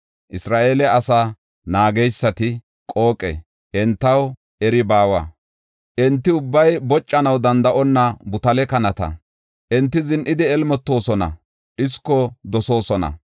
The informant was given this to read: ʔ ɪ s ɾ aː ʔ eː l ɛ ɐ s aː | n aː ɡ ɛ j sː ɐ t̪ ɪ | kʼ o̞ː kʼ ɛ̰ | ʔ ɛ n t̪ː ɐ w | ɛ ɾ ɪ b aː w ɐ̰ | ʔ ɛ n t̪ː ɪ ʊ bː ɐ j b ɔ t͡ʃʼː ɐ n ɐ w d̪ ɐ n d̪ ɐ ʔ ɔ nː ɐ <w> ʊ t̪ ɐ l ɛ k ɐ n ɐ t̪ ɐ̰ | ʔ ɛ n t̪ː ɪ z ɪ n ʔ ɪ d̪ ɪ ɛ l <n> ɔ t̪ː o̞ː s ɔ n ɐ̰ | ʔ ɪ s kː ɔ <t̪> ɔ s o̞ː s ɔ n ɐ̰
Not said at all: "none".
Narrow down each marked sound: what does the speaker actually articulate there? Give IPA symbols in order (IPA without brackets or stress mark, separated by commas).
b, m, d̪